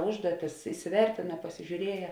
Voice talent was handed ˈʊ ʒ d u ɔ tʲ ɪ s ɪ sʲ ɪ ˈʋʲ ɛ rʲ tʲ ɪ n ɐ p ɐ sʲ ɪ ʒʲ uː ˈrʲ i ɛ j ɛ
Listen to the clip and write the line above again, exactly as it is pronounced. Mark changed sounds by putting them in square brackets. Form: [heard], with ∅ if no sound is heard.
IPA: ˈʊ ʒ d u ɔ tʲ ɪ s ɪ sʲ ɪ ˈʋʲ ɛ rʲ tʲ ɪ n ɐ p ɐ sʲ ɪ ʒʲ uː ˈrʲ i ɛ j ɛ